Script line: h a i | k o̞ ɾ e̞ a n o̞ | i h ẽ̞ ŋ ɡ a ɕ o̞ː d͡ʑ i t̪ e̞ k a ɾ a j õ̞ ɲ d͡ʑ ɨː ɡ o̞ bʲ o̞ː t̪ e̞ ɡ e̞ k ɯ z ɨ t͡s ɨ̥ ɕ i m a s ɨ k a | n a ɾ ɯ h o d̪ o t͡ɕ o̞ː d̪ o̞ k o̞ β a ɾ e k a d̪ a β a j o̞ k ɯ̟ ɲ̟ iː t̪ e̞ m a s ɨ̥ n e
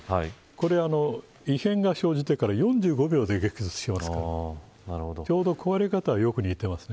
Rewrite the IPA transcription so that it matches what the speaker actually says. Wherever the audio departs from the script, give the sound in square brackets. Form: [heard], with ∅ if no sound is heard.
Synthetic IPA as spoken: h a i | k o̞ ɾ e̞ a n o̞ | i h ẽ̞ ŋ ɡ a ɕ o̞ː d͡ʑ i t̪ e̞ k a ɾ a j õ̞ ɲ d͡ʑ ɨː ɡ o̞ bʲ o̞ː [d̪] e̞ ɡ e̞ k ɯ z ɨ t͡s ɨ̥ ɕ i m a s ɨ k a | n a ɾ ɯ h o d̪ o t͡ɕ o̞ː d̪ o̞ k o̞ β a ɾ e k a [t̪] a β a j o̞ k ɯ̟ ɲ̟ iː t̪ e̞ m a s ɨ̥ n e